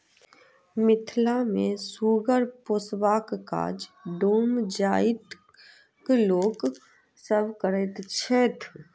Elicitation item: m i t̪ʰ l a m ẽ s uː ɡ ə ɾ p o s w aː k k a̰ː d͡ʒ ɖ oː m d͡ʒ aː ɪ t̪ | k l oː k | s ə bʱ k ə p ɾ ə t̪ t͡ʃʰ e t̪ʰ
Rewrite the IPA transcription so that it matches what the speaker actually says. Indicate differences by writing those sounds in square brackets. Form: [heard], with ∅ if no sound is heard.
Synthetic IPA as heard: m [ɪ] t̪ʰ l a m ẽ s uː ɡ ə ɾ p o s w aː k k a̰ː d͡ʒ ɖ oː m d͡ʒ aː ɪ t̪ | k l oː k | s ə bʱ k ə [∅] ɾ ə t̪ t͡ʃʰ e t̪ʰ

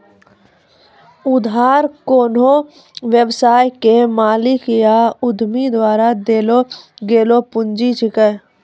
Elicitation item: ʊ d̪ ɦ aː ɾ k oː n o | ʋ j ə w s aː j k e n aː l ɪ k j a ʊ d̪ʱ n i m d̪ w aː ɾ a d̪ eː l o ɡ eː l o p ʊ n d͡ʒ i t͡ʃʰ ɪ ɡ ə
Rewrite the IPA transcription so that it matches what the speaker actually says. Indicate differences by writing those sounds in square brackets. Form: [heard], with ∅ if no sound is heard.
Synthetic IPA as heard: ʊ d̪ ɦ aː ɾ k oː n o | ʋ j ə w s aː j k e [m] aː l ɪ k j a ʊ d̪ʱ [m] i [∅] d̪ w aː ɾ a d̪ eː l o ɡ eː l o p ʊ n d͡ʒ i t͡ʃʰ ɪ [k] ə

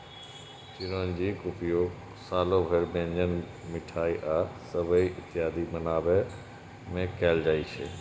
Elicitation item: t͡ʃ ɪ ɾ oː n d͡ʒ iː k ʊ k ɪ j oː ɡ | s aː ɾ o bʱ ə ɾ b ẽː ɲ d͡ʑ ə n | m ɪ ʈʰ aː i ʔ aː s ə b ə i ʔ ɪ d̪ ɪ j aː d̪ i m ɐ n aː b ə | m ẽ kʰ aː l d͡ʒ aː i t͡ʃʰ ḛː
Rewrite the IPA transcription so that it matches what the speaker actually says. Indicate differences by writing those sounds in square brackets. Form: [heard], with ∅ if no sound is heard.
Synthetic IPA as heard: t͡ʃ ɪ ɾ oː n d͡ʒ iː k ʊ [p] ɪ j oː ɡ | s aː [l] o bʱ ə ɾ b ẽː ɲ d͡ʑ ə n | m ɪ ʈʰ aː i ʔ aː s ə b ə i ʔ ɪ [t̪] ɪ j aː d̪ i m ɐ n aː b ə | m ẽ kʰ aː l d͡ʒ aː i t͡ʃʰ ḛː

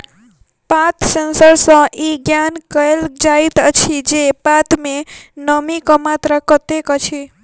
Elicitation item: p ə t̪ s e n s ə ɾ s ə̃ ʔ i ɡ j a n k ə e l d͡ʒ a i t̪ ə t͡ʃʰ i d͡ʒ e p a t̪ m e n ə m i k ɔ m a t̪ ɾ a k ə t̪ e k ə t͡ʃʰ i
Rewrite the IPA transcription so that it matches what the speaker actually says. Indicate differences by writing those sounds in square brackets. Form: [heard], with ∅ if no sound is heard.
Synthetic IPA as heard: p [a] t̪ s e n s ə ɾ s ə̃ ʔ i ɡ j a n k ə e l d͡ʒ a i t̪ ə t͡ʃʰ i d͡ʒ e p a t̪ m e n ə m i k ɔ m a t̪ ɾ [ə] k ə t̪ e k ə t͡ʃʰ i

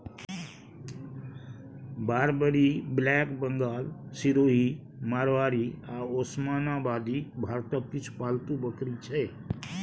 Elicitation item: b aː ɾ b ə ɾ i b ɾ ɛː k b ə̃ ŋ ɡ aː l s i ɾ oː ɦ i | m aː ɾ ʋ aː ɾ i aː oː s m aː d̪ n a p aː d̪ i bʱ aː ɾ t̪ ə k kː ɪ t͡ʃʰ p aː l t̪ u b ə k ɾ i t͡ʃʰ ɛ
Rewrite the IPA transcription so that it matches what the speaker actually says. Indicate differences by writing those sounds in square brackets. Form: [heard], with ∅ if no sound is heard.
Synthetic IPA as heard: b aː ɾ b ə ɾ i b [l] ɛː k b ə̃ ŋ ɡ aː l s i ɾ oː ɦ i | m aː ɾ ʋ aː ɾ i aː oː s m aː [∅] n a [b] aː d̪ i bʱ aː ɾ t̪ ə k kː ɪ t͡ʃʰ p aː l t̪ u b ə k ɾ i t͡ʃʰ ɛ

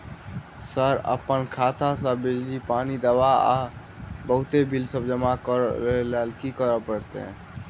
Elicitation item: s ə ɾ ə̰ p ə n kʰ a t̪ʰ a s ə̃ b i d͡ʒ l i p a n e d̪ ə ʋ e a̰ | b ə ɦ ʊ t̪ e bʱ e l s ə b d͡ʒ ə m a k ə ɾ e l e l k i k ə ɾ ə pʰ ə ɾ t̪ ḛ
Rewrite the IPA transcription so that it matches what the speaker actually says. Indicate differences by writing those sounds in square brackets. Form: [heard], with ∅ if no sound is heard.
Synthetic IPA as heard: s ə ɾ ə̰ p ə n kʰ a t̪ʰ a s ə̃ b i d͡ʒ l i p a n [i] d̪ ə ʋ [a] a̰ | b ə ɦ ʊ t̪ e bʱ [i] l s ə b d͡ʒ ə m a k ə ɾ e l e l k i k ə ɾ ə [p] ə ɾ t̪ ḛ

